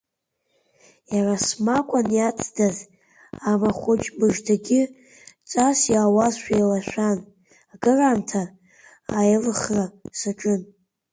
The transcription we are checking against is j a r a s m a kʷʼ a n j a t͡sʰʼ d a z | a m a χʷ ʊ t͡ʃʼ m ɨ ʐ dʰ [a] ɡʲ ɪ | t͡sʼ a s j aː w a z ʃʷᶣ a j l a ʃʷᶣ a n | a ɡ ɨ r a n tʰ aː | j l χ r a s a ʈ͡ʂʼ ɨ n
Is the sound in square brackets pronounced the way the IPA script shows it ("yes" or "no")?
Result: yes